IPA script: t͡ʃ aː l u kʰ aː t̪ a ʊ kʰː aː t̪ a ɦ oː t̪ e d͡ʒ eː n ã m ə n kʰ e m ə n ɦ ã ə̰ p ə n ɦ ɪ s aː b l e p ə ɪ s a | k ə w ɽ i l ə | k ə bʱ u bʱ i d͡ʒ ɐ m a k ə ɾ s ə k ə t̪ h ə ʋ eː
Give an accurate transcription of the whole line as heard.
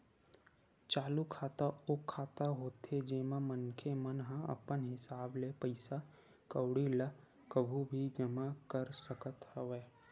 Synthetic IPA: t͡ʃ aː l u kʰ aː t̪ a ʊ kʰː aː t̪ a ɦ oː t̪ e d͡ʒ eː m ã m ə n kʰ e m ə n ɦ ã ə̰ p ə n ɦ ɪ s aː b l e p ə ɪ s a | k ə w ɽ i l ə | k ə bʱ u bʱ i d͡ʒ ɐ m a k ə ɾ s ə k ə t̪ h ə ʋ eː

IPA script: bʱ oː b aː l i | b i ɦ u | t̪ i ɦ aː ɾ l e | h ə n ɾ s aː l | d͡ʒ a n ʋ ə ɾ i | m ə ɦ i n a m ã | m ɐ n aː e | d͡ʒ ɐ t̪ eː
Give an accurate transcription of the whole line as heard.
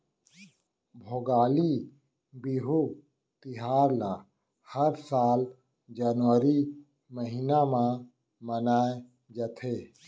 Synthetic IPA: bʱ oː ɡ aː l i | b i ɦ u | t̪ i ɦ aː ɾ l a | h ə ɾ s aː l | d͡ʒ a n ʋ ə ɾ i | m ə ɦ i n a m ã | m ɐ n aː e | d͡ʒ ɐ t̪ʰ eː

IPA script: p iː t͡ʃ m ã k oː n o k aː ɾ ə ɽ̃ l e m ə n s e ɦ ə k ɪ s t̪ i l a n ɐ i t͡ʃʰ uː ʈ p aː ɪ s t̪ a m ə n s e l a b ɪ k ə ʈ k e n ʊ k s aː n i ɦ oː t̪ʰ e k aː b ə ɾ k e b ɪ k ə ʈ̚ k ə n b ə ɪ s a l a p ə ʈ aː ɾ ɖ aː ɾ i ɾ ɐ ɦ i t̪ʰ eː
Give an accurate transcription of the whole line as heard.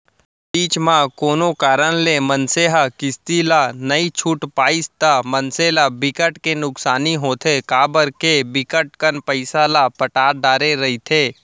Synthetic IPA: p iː t͡ʃ m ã k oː n o k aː ɾ ə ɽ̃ l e m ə n s e ɦ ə k ɪ s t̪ i l a n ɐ i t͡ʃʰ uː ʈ p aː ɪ s t̪ a m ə n s e l a b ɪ k ə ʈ k e n ʊ k s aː n i ɦ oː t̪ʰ e k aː b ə ɾ k e b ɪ k ə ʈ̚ k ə n p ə ɪ s a l a p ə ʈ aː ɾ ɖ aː ɾ e ɾ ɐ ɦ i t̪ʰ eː

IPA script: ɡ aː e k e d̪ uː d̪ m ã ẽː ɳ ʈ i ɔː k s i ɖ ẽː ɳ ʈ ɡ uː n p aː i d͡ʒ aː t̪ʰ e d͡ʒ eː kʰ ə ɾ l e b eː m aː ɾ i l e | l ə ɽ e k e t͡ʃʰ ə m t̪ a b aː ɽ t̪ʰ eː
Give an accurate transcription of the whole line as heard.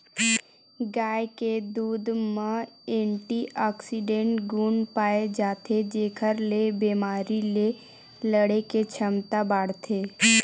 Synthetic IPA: ɡ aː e k e d̪ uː d̪ m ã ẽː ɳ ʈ i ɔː k s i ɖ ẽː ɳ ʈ ɡ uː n p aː e d͡ʒ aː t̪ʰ e d͡ʒ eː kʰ ə ɾ l e b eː m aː ɾ i l e | l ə ɽ e k e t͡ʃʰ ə m t̪ a b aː ɽ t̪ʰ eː

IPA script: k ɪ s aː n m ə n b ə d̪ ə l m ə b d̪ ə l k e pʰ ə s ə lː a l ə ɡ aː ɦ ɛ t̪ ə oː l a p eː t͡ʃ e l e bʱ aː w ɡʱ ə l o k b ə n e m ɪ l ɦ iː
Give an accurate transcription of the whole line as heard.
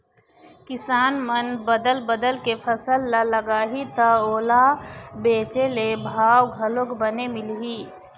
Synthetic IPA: k ɪ s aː n m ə n b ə d̪ ə l b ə d̪ ə l k e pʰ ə s ə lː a l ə ɡ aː ɦ i t̪ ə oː l a b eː t͡ʃ e l e bʱ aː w ɡʱ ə l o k b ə n e m ɪ l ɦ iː

